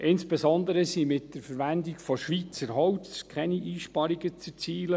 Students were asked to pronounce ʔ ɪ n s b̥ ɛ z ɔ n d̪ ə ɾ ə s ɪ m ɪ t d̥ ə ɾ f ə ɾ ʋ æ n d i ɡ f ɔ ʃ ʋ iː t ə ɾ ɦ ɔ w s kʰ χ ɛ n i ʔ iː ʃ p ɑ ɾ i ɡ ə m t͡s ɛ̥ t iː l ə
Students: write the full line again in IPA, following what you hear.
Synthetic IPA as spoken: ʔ ɪ n s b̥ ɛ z ɔ n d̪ ə ɾ ə s i m ɪ t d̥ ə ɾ f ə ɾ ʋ æ n d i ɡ f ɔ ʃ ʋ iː t͡s ə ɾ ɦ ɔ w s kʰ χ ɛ n i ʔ iː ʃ p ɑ ɾ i ɡ ə t͡s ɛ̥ t͡s iː l ə